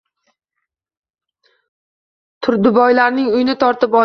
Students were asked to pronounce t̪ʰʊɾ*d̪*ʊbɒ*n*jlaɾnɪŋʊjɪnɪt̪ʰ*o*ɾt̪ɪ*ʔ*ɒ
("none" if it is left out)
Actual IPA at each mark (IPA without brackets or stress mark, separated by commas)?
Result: d̪, none, ɒ, p